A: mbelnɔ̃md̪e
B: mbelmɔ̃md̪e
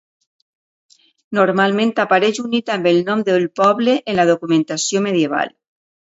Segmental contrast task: A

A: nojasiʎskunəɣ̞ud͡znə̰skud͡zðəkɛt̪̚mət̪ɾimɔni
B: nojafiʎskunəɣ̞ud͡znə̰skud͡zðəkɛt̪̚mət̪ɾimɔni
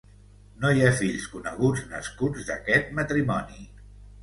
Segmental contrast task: B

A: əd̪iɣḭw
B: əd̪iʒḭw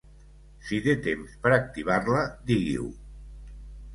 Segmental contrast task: A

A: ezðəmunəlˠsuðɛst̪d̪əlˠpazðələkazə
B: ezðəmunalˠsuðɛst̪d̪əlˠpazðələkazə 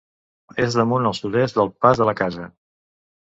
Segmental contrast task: A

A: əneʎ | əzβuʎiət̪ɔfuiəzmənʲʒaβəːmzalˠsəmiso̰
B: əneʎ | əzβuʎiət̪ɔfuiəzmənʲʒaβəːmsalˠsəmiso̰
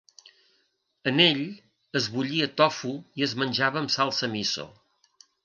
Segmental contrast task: B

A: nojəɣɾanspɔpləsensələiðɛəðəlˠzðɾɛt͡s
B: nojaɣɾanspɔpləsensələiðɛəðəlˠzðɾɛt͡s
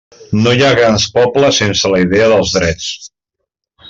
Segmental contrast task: B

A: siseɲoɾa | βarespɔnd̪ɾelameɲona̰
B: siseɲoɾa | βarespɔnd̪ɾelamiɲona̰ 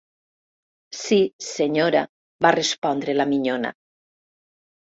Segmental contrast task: B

